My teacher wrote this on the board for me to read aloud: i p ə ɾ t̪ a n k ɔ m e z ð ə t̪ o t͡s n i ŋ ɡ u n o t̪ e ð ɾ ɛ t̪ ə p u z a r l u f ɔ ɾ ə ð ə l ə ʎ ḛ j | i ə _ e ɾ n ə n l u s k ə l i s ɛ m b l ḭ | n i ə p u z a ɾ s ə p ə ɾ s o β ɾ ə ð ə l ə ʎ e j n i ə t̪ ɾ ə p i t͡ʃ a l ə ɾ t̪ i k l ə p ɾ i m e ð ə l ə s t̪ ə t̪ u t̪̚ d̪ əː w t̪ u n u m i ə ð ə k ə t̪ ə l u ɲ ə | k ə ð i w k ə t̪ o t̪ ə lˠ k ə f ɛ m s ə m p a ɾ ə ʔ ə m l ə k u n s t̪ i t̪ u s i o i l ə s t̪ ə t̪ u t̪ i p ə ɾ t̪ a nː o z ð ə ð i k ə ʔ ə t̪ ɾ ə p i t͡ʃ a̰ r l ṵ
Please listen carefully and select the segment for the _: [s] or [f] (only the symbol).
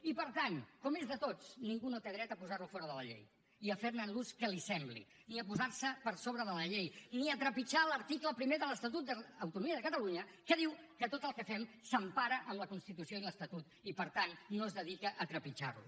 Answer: f